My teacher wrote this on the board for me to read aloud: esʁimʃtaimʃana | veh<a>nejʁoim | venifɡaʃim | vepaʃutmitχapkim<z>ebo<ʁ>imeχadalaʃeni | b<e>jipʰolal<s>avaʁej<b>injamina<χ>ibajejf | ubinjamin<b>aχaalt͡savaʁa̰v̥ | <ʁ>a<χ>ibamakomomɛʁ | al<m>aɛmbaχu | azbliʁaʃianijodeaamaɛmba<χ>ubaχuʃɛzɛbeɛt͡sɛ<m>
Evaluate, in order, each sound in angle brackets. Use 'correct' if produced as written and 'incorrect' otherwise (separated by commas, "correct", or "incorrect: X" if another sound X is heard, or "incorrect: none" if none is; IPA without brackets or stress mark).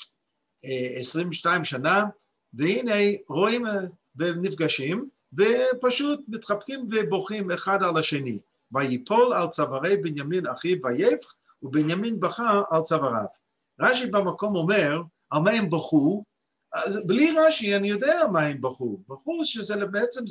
incorrect: i, incorrect: v, incorrect: χ, incorrect: a, incorrect: t͡s, correct, correct, correct, correct, incorrect: ʃ, correct, correct, correct